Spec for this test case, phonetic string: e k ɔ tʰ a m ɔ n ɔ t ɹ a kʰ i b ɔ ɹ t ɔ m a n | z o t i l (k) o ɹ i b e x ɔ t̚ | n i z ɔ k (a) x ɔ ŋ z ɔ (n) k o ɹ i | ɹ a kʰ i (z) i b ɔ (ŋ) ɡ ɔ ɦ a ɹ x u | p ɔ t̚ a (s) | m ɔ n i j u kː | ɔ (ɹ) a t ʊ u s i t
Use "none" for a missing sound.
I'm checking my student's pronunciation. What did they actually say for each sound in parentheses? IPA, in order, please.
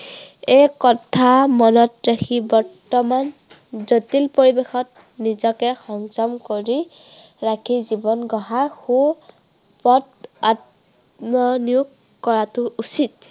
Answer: p, ɛ, m, z, n, t, ɹ

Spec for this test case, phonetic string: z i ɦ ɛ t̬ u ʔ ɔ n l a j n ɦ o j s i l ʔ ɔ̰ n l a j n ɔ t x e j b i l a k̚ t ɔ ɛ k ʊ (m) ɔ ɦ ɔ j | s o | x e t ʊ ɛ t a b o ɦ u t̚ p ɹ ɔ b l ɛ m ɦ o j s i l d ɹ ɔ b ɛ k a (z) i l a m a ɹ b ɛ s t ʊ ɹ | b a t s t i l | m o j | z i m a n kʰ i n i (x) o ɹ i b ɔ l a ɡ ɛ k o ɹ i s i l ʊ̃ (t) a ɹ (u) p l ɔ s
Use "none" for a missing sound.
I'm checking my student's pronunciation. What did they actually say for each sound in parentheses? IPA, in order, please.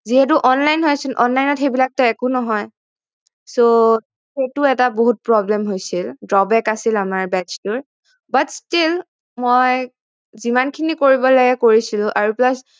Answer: n, s, k, ʔ, u

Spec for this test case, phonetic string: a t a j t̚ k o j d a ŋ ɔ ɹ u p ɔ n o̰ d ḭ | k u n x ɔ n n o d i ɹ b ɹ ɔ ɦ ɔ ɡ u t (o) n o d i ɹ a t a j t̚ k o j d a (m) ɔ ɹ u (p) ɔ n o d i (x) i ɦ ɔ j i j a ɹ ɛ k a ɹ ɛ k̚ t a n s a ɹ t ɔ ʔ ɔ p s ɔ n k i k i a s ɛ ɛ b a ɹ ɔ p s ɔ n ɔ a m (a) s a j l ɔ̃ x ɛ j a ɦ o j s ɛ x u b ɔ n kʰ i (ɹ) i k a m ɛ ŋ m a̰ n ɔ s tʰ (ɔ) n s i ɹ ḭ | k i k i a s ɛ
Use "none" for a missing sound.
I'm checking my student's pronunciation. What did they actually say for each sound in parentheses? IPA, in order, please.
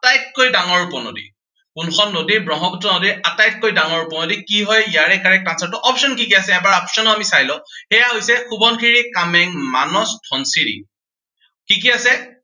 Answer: ɔ, ŋ, p, k, i, ɹ, ɔ

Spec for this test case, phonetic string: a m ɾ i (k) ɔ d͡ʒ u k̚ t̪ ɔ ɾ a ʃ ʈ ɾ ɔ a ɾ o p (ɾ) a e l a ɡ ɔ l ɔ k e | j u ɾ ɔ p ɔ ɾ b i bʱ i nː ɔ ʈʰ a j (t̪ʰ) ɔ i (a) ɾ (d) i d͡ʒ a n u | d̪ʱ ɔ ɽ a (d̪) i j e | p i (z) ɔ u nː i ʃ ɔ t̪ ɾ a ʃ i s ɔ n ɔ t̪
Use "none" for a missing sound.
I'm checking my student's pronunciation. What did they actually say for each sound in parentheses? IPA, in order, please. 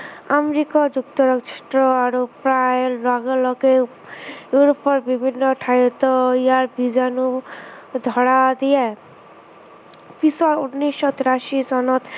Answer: k, ɾ, t̪, a, b, d̪, s

